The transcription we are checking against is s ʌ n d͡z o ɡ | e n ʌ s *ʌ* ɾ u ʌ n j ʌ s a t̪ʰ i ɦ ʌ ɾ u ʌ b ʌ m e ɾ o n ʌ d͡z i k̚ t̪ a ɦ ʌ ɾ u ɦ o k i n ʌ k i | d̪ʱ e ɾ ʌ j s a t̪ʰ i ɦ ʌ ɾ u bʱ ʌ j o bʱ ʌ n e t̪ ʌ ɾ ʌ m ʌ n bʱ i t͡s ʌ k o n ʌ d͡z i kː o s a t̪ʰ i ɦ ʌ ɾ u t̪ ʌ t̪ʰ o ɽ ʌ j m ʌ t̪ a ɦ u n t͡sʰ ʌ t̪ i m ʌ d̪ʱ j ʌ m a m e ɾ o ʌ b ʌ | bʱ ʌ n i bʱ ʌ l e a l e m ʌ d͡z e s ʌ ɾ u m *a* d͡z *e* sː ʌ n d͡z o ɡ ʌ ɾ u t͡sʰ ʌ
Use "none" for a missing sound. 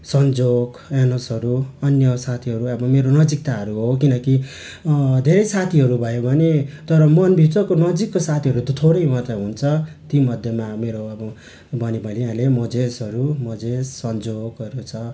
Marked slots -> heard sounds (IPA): ʌ, ʌ, e

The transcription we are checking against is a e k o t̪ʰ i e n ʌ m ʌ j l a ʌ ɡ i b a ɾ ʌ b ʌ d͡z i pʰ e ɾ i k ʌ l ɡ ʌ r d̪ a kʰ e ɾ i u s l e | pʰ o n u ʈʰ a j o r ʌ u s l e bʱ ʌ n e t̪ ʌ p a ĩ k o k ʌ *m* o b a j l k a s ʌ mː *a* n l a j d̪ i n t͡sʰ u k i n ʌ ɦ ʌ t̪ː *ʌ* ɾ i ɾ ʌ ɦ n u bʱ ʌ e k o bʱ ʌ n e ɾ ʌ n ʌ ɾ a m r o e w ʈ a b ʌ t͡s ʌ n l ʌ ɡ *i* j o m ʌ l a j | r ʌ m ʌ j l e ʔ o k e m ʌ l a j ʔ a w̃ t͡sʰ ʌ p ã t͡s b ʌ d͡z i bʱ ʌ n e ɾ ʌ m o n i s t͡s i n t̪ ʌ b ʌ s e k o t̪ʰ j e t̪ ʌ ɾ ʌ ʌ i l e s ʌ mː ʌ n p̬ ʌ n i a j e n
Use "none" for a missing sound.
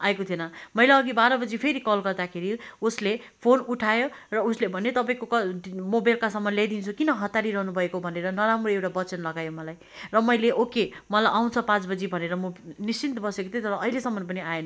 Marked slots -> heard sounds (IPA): m, ʌ, a, a

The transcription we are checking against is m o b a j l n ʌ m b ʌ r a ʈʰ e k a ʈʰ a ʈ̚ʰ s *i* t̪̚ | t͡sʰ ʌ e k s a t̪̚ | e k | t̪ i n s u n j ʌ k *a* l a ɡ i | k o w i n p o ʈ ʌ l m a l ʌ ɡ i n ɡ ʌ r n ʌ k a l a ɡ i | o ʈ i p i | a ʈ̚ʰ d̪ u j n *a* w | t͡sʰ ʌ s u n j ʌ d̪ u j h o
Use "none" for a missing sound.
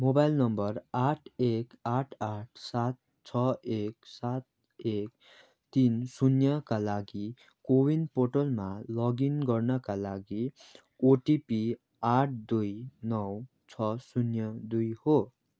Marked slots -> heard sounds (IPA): a, a, ʌ

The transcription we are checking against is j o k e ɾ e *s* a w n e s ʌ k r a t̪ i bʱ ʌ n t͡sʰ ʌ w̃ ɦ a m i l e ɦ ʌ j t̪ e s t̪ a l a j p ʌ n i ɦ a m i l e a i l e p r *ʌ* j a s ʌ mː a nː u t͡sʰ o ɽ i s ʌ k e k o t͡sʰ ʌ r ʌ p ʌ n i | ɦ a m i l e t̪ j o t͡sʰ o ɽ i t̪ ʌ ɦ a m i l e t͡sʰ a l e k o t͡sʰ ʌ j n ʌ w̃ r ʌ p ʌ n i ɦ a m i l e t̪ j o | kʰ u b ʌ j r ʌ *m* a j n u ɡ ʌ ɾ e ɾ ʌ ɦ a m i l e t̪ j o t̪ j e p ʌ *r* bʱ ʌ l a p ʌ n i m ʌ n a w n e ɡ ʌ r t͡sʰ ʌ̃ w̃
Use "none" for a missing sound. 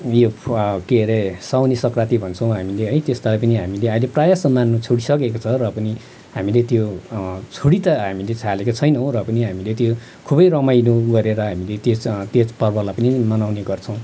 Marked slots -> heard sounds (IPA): s, a, m, r

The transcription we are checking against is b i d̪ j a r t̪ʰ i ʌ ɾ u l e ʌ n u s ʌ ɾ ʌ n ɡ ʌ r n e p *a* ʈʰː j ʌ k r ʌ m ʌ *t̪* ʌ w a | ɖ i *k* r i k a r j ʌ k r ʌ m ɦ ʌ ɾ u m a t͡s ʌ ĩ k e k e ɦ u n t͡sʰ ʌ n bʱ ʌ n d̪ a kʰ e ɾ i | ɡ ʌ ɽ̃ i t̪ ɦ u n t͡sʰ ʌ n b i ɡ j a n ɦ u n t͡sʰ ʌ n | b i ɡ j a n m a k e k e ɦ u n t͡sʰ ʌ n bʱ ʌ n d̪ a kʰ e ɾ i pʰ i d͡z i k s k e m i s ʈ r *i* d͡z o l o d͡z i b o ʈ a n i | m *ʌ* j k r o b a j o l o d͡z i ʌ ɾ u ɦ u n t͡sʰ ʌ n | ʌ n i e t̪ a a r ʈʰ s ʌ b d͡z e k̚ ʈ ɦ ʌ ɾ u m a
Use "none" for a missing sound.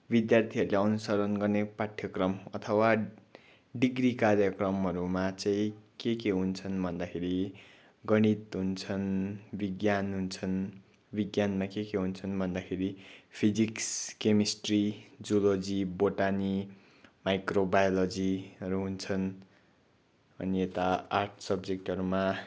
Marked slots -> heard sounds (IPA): a, t̪ʰ, ɡ, i, a

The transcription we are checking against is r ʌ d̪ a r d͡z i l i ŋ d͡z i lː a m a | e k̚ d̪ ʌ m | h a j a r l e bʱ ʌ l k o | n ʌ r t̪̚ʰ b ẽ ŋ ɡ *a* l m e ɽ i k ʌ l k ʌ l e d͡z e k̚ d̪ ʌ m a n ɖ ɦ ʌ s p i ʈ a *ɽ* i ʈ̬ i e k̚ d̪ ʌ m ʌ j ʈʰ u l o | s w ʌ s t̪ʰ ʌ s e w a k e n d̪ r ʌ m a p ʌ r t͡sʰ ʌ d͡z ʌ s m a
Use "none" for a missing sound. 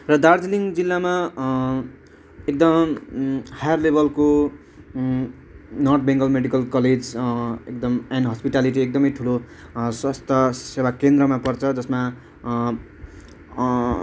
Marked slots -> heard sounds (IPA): ʌ, l

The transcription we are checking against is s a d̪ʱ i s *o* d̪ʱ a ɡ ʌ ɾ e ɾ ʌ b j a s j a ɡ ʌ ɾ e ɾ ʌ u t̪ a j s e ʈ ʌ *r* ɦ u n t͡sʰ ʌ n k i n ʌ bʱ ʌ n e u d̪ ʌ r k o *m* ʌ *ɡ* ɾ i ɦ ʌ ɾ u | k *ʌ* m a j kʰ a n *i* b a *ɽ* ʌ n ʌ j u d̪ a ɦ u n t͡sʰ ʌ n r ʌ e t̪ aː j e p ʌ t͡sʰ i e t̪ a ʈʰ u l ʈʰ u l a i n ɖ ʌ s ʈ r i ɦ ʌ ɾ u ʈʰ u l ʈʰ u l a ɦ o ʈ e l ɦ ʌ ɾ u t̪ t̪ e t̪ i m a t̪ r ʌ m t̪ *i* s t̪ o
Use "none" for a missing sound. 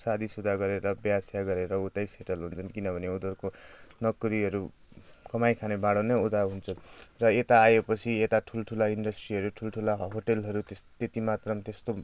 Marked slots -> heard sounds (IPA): u, l, n, k, ʌ, e, ɽ, e

